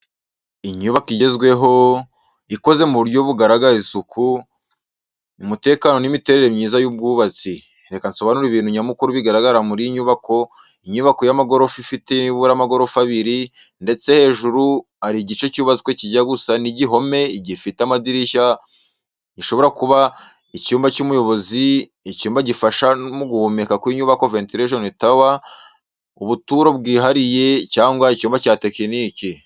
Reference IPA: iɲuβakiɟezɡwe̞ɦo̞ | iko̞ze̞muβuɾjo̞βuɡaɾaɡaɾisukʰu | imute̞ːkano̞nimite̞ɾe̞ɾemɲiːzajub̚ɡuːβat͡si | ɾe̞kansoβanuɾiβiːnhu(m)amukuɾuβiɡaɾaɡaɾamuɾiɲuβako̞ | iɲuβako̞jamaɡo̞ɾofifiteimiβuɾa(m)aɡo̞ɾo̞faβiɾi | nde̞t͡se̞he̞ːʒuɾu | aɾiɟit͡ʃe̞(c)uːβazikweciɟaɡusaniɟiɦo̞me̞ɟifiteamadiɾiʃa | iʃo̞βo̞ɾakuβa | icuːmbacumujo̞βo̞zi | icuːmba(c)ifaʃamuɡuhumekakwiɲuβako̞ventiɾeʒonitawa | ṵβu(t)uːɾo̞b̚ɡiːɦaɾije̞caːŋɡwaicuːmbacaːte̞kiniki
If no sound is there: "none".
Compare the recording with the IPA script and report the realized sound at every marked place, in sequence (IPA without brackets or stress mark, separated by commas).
ɲ, m, c, ɟ, t